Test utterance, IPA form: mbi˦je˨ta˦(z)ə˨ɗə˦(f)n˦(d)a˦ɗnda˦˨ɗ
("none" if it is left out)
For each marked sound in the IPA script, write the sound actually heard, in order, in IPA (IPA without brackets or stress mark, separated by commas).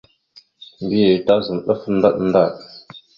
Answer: z, f, d